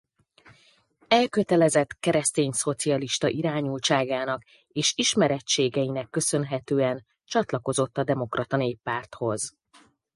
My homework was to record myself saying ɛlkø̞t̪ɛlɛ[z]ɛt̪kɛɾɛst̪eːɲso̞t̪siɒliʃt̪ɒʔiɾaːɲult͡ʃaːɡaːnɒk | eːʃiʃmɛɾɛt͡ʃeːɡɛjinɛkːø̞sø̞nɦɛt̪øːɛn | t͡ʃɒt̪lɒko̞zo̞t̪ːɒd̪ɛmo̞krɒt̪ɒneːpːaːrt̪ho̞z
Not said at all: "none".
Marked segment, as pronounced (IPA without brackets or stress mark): z